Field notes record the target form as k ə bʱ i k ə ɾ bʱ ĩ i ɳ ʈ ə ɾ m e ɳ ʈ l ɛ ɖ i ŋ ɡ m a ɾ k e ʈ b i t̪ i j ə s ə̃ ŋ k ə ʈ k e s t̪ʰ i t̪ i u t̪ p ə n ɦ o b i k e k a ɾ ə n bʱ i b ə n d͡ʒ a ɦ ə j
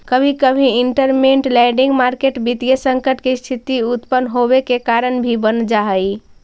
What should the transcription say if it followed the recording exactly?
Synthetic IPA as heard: k ə bʱ i k ə bʱ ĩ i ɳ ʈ ə ɾ m e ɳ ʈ l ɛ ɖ i ŋ ɡ m a ɾ k e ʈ b i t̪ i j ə s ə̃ ŋ k ə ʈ k e s t̪ʰ i t̪ i u t̪ p ə n ɦ o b e k e k a ɾ ə n bʱ i b ə n d͡ʒ a ɦ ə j

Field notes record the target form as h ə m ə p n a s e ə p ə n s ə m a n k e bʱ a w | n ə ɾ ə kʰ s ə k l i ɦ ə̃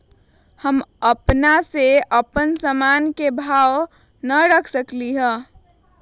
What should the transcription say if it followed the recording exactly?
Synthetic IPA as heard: h ə m ə p n a s e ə p ə n s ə m a n k e bʱ a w | n ə ɾ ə kʰ s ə k l i ɦ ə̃

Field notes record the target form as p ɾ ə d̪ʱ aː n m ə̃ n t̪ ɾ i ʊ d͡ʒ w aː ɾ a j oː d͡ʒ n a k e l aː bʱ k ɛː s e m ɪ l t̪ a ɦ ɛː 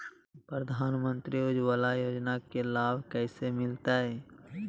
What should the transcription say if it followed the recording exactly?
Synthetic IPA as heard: p ɾ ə d̪ʱ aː n m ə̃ n t̪ ɾ i ʊ d͡ʒ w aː l a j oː d͡ʒ n a k e l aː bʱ k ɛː s e m ɪ l t̪ a ɦ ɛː

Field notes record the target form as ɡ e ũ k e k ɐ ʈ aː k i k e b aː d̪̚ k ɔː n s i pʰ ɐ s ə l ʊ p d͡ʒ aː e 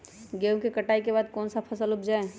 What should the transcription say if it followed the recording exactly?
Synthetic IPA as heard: ɡ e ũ k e k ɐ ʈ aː i k e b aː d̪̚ k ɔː n s a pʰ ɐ s ə l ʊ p d͡ʒ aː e

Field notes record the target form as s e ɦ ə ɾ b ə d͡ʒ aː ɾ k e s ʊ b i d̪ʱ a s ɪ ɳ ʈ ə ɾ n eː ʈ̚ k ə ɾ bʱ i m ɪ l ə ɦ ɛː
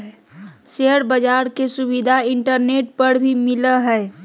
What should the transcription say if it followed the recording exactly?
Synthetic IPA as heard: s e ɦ ə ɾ b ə d͡ʒ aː ɾ k e s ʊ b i d̪ʱ a ɪ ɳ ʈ ə ɾ n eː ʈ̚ p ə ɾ bʱ i m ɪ l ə ɦ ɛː

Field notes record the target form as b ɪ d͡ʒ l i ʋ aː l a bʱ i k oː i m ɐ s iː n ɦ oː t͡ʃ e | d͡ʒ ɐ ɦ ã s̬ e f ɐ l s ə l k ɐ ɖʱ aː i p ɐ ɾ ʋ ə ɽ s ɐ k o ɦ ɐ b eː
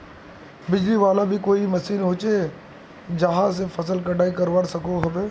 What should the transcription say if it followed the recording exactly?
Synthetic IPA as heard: b ɪ d͡ʒ l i ʋ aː l a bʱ i k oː i m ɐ s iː n ɦ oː t͡ʃ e | d͡ʒ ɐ ɦ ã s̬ e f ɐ s ə l k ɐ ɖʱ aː i k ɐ ɾ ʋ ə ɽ s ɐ k o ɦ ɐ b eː

